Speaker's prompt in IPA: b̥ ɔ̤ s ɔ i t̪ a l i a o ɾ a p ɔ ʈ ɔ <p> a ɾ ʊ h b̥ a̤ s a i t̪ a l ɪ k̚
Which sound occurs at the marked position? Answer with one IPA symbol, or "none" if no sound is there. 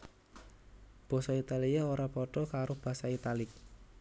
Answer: k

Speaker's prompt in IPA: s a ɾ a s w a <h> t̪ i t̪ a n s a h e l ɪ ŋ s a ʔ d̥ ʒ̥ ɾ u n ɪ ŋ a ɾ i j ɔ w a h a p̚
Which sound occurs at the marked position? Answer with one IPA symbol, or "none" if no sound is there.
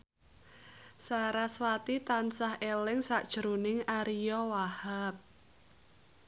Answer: none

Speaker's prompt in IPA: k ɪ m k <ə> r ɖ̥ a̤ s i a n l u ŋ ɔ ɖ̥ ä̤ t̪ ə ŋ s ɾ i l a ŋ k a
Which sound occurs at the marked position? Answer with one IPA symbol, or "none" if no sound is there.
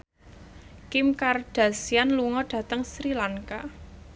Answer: a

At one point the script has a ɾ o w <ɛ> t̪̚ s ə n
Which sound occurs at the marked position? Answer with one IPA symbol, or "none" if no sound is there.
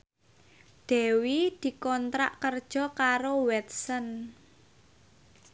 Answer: ɛ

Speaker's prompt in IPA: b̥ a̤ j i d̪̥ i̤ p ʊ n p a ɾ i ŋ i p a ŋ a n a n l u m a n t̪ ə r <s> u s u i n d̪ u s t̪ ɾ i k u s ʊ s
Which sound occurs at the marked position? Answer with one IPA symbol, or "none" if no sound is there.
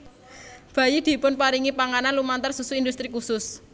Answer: s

